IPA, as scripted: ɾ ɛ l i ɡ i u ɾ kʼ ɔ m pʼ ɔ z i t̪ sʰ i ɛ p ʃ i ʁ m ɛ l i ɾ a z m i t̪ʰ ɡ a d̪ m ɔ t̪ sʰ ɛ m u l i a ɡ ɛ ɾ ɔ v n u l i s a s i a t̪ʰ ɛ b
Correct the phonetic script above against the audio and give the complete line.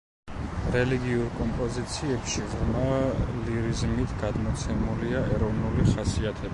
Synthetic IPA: ɾ ɛ l i ɡ i u ɾ kʼ ɔ m pʼ ɔ z i t̪ sʰ i ɛ p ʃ i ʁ m a l i ɾ i z m i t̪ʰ ɡ a d̪ m ɔ t̪ sʰ ɛ m u l i a ɛ ɾ ɔ v n u l i χ a s i a t̪ʰ ɛ b